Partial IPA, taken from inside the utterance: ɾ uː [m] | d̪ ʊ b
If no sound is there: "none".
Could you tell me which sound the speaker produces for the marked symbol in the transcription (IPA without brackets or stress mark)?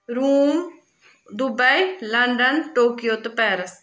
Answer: m